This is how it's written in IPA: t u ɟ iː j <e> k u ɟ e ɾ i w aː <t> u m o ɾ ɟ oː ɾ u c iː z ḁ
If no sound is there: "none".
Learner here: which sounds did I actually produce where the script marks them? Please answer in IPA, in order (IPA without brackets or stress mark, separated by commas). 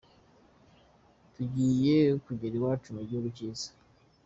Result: e, t͡ʃ